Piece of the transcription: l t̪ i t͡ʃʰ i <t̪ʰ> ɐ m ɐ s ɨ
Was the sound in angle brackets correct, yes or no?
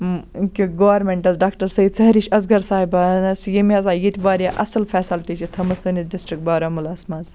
yes